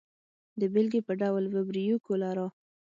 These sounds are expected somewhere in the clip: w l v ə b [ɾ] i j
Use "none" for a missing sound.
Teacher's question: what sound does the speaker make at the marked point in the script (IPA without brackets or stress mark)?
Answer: ɾ